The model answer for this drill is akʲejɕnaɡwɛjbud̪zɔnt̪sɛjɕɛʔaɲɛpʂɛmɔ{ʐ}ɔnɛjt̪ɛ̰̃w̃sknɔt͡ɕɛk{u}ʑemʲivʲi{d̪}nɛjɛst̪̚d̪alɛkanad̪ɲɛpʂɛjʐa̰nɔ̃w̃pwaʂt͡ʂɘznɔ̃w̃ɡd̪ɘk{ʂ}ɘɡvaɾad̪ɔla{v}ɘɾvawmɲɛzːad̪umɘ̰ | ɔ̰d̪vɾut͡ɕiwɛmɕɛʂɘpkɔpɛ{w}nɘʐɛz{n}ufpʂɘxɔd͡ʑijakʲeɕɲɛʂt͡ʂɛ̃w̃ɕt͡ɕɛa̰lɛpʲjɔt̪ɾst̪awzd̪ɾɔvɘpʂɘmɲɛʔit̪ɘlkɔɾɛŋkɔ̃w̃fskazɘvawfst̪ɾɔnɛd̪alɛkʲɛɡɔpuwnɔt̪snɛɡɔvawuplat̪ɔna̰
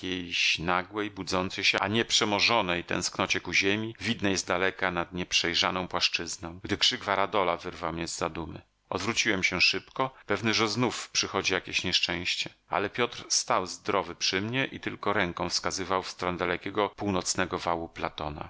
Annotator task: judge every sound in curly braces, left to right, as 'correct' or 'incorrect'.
correct, correct, correct, correct, correct, incorrect: v, correct

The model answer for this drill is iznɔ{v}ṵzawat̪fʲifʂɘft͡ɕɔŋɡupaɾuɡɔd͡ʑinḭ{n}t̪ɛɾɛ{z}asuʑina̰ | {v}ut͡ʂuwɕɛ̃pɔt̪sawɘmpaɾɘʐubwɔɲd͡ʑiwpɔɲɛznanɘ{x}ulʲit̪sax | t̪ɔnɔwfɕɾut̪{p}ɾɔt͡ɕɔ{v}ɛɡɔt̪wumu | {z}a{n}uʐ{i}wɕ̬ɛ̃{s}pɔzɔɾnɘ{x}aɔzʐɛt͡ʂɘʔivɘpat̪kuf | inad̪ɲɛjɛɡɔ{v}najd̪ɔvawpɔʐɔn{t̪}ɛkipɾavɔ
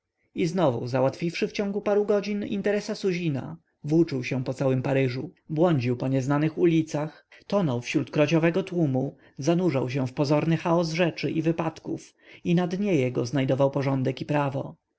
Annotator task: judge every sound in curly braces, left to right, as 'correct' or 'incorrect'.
correct, correct, incorrect: s, correct, correct, incorrect: k, correct, correct, correct, incorrect: a, incorrect: f, correct, incorrect: z, incorrect: d̪

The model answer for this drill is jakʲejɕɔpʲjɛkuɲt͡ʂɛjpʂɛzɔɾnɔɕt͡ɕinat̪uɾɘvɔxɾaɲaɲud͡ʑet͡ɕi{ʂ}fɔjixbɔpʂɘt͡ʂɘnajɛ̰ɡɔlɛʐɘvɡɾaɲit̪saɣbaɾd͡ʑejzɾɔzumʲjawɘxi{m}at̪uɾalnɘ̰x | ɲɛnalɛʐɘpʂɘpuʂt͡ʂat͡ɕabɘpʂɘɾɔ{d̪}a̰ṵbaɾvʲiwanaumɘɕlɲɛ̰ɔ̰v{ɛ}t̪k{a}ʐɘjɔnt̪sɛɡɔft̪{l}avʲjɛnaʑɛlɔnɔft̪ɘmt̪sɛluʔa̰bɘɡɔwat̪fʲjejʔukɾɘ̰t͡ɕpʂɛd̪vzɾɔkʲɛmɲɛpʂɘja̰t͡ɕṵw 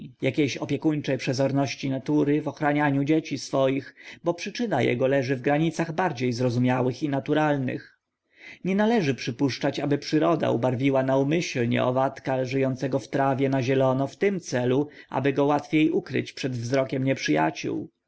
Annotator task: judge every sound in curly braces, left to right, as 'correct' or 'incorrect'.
incorrect: s, incorrect: n, correct, incorrect: a, correct, incorrect: ɾ

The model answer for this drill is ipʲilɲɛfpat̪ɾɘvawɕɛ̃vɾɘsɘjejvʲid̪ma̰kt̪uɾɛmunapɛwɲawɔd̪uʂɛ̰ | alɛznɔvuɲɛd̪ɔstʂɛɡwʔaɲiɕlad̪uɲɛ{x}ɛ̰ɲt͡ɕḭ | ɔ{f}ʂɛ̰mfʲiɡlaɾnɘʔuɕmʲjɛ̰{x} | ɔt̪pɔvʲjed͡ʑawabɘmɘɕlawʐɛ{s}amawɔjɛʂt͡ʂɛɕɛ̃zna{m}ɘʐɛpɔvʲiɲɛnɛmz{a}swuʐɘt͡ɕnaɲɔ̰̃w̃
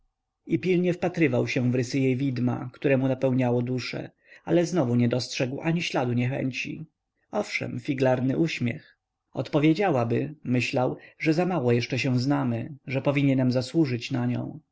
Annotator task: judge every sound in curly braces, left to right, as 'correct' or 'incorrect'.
correct, correct, correct, incorrect: z, correct, correct

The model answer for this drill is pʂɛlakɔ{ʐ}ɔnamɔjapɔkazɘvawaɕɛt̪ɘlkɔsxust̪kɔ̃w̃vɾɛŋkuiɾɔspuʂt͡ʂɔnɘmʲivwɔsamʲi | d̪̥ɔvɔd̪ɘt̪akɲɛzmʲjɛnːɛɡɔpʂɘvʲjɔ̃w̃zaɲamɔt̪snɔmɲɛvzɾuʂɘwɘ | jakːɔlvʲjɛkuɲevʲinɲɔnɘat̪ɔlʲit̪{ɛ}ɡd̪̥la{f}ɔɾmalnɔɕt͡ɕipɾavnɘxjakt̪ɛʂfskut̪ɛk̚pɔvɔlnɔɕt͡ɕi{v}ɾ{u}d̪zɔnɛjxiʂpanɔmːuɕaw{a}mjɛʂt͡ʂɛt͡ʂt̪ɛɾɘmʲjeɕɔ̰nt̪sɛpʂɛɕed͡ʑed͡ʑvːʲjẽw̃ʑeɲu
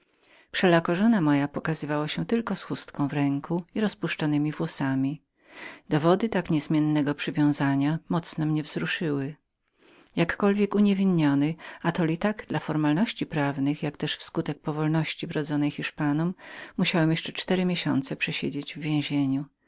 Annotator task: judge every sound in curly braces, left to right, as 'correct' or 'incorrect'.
correct, incorrect: a, correct, correct, incorrect: ɔ, incorrect: ɛ

